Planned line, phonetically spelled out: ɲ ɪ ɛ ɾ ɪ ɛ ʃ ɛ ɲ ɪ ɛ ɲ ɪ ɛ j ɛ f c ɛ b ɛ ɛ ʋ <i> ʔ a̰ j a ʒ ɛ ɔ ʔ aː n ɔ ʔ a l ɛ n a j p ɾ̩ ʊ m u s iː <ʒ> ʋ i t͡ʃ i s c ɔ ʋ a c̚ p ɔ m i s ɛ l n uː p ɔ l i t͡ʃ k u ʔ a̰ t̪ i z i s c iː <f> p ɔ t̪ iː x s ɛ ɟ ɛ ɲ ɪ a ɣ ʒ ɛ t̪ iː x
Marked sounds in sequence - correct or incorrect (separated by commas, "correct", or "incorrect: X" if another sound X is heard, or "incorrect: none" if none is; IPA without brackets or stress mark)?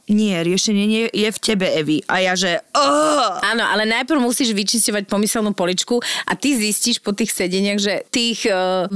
correct, correct, incorrect: ʃ